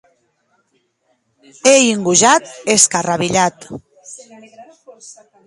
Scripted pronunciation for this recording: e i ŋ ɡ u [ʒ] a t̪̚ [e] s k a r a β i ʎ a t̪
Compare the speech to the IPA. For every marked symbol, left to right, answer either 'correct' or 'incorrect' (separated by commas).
correct, correct